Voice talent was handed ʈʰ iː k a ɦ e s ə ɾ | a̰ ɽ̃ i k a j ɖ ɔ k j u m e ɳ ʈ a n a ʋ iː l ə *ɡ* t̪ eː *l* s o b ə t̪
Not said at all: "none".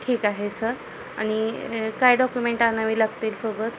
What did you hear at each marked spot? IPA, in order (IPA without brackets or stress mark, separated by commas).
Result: ɡ, l